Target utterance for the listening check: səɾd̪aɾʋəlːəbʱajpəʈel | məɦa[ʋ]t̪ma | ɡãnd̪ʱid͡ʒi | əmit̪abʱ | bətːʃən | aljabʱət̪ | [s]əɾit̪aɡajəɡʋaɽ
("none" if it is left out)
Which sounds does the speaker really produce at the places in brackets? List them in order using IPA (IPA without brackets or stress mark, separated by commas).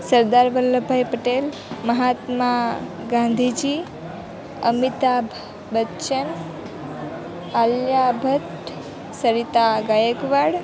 none, s